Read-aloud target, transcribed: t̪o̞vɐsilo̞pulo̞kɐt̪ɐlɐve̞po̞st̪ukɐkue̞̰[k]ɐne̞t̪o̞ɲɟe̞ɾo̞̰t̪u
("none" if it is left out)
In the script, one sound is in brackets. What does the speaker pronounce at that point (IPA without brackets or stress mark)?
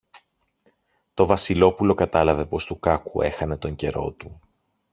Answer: x